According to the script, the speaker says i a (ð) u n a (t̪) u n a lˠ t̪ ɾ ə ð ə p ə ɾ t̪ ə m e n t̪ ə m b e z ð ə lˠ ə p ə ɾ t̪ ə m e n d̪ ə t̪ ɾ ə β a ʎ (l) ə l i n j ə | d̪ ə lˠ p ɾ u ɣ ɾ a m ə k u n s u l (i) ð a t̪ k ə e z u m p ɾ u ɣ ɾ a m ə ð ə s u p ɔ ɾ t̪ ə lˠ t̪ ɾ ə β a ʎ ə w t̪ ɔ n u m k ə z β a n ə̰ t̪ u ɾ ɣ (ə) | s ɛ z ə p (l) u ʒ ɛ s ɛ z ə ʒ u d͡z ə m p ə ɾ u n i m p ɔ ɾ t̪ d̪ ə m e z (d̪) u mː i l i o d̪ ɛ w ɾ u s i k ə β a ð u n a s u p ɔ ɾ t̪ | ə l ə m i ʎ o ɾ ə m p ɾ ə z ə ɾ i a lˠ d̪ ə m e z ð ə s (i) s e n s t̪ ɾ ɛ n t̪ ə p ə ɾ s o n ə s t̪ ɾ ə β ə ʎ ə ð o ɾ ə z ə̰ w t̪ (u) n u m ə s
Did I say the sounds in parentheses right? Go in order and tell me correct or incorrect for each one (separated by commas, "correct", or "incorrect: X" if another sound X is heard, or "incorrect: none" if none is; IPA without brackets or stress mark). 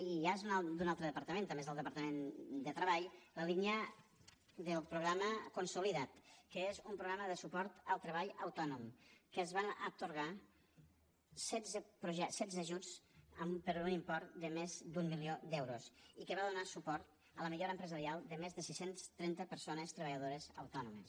incorrect: z, incorrect: d̪, correct, correct, incorrect: a, incorrect: ɾ, correct, correct, incorrect: ɔ